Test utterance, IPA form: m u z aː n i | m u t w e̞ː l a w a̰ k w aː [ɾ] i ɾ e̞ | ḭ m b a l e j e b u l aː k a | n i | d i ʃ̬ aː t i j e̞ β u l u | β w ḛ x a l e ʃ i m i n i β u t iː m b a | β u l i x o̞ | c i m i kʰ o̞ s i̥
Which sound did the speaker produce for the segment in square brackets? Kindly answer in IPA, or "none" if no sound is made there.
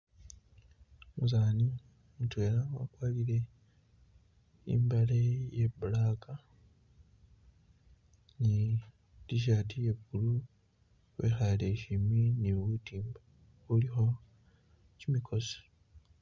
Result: l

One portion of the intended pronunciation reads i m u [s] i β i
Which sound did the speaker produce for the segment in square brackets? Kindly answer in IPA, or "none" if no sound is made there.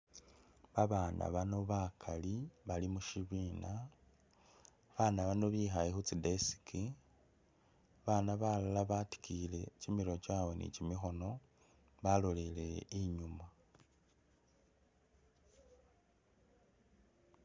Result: ʃ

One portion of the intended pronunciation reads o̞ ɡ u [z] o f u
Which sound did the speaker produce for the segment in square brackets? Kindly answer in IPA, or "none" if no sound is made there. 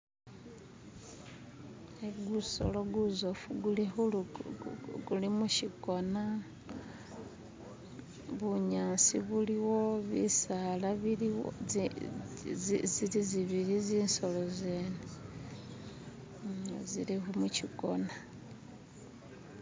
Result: z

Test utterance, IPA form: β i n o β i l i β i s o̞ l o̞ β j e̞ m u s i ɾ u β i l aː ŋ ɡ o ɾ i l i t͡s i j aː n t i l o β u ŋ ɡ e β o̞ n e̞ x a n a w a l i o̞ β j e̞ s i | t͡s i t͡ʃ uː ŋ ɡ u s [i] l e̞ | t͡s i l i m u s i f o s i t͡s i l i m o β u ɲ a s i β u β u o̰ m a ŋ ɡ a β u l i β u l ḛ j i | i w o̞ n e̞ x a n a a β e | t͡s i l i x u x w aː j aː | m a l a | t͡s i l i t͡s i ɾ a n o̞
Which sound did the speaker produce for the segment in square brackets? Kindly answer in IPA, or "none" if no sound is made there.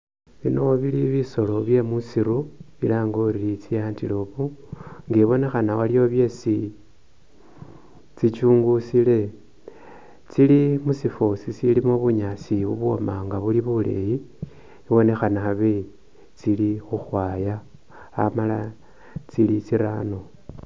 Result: i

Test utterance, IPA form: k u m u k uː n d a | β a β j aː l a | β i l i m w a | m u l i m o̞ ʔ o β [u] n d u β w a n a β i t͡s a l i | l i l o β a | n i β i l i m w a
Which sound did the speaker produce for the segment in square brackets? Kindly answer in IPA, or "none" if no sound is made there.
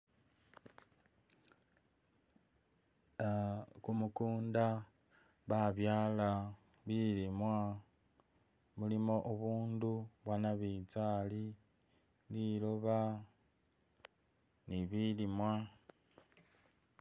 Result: uː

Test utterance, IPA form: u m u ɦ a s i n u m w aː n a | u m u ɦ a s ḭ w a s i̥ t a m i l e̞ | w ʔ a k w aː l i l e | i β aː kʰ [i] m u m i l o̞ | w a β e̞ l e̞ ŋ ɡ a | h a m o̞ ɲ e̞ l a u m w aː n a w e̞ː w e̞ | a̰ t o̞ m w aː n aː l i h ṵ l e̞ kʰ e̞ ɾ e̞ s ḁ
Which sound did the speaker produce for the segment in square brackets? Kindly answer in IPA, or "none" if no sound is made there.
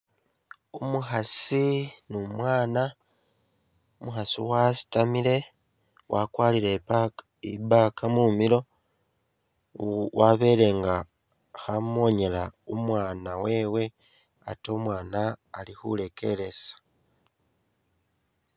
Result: a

